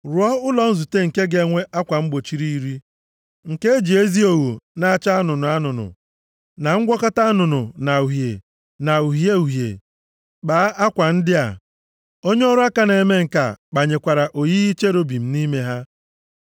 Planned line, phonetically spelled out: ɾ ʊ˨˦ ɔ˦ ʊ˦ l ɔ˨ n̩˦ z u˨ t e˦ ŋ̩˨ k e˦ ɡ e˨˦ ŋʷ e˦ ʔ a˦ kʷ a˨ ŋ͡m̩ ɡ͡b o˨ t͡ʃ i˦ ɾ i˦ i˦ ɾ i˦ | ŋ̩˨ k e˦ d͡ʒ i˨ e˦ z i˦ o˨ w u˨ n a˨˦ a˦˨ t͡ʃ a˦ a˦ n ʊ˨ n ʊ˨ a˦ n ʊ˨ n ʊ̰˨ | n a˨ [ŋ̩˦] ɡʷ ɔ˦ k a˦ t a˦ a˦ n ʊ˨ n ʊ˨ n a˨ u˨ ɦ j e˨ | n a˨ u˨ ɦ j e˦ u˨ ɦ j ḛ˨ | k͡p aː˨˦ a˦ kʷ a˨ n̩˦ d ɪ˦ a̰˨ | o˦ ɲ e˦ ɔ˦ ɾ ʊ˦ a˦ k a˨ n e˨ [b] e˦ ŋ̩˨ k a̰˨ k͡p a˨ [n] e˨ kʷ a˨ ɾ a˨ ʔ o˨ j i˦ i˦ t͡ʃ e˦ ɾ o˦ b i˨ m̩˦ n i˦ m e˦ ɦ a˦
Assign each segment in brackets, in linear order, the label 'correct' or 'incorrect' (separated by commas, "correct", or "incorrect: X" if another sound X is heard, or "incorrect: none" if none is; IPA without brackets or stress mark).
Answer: correct, incorrect: m, incorrect: ɲ